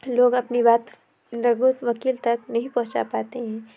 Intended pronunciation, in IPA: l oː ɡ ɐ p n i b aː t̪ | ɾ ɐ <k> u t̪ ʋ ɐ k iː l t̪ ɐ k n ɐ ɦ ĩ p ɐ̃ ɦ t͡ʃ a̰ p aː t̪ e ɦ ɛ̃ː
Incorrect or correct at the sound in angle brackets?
incorrect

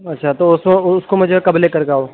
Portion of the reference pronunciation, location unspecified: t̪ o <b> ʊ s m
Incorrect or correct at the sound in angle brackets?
incorrect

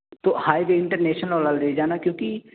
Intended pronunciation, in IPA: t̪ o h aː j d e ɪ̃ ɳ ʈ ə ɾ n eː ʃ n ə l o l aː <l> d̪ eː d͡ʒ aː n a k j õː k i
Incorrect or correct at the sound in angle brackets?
correct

